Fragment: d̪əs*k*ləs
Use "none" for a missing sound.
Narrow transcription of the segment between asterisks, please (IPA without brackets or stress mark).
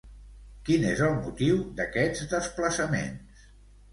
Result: p